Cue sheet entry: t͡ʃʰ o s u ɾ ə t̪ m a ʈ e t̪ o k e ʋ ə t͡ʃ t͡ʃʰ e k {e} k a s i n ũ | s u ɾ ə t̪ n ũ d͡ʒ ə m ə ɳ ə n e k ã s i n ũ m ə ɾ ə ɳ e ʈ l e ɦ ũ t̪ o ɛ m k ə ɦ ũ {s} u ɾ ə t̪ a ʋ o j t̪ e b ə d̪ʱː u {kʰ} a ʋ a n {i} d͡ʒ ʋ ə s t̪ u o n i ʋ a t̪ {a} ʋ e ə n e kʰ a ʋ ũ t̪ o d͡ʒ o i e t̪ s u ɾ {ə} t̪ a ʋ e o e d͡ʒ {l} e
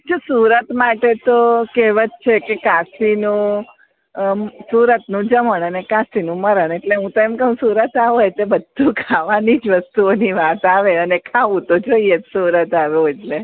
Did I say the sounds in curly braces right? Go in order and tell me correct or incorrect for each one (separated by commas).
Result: correct, correct, correct, correct, correct, correct, correct